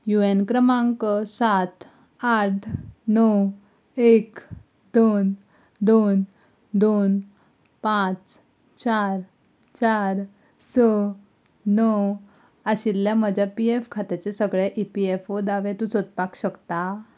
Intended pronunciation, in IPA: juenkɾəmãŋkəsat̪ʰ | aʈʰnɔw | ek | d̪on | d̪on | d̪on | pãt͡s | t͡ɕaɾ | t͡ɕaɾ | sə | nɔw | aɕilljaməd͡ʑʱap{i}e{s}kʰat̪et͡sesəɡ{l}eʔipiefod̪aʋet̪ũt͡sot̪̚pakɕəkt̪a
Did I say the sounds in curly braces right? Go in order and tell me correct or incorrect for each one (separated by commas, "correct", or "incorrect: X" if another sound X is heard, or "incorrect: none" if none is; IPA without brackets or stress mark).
correct, incorrect: f, incorrect: ɭ